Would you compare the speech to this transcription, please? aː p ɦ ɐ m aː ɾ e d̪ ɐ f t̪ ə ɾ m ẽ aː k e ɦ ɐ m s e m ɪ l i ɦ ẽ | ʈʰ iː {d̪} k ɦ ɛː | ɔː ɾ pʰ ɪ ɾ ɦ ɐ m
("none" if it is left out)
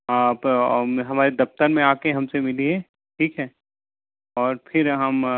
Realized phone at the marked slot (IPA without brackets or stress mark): none